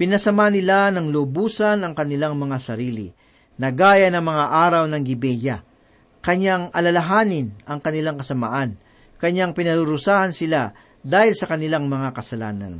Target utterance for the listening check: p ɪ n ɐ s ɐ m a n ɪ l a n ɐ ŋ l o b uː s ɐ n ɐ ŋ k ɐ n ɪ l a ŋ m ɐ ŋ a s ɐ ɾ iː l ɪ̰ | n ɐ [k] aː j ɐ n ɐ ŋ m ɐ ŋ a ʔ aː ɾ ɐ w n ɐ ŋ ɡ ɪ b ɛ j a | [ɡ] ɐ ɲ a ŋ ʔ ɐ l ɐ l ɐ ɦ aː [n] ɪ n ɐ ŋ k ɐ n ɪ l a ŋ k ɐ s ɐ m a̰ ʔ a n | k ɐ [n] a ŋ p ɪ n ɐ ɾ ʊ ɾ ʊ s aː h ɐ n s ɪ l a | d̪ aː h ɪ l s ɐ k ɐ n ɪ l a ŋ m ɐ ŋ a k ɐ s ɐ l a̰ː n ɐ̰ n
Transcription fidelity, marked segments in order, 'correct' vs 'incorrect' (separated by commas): incorrect, incorrect, correct, incorrect